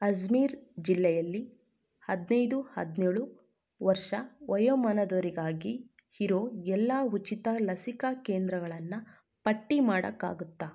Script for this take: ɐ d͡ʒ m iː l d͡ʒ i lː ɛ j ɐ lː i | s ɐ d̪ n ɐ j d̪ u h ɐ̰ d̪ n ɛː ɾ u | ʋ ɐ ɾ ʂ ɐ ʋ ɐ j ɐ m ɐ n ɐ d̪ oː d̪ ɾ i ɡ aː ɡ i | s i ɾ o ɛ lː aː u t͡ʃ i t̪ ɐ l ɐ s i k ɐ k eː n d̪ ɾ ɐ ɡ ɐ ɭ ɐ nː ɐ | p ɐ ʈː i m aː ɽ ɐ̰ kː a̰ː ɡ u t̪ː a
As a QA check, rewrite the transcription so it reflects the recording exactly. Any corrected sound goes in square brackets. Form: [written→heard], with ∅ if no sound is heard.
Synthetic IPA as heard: ɐ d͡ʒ m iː [l→ɾ] d͡ʒ i lː ɛ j ɐ lː i | [s→h] ɐ d̪ n ɐ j d̪ u h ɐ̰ d̪ n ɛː [ɾ→ɭ] u | ʋ ɐ ɾ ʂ ɐ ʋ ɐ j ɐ m ɐ n ɐ d̪ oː [d̪→∅] ɾ i ɡ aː ɡ i | [s→h] i ɾ o ɛ lː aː u t͡ʃ i t̪ ɐ l ɐ s i k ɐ k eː n d̪ ɾ ɐ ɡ ɐ ɭ ɐ nː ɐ | p ɐ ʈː i m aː ɽ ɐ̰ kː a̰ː ɡ u t̪ː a

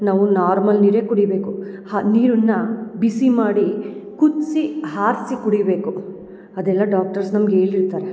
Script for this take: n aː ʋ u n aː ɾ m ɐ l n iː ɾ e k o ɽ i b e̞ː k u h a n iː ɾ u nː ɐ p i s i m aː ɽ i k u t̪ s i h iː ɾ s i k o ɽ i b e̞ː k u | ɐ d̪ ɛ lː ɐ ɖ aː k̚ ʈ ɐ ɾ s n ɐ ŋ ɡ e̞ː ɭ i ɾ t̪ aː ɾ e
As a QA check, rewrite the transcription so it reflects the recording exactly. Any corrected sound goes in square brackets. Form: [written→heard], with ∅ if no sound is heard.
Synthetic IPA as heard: n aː ʋ u n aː ɾ m ɐ l n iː ɾ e k [o→u] ɽ i b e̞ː k u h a n iː ɾ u nː ɐ [p→b] i s i m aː ɽ i k u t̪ s i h [iː→aː] ɾ s i k [o→u] ɽ i b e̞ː k u | ɐ d̪ ɛ lː ɐ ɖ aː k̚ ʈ ɐ ɾ s n ɐ [ŋ→m] ɡ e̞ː ɭ i ɾ t̪ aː ɾ e

